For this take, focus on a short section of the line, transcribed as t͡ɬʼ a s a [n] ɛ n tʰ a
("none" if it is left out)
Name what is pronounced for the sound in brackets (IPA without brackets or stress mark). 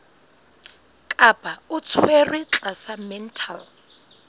m